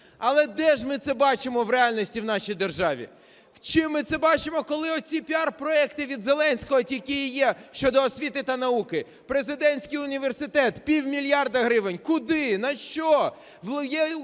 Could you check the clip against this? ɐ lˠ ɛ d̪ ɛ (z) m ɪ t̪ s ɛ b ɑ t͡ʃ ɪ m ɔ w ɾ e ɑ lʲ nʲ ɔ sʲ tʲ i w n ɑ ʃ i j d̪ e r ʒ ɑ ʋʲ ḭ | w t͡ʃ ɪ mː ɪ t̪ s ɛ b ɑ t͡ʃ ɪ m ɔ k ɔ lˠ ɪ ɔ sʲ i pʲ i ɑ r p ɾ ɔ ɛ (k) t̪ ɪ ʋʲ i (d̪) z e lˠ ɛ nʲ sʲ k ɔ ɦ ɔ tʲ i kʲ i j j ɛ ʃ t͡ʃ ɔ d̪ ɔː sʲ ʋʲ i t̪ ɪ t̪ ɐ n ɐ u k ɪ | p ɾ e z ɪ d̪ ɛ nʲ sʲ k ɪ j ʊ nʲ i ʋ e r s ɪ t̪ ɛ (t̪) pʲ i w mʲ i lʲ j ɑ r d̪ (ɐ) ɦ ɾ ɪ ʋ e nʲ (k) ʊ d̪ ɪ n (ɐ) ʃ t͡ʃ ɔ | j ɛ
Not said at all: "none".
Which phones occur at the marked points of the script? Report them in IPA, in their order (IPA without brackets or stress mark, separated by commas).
ʒ, k, d̪, t̪, ɐ, k, ɐ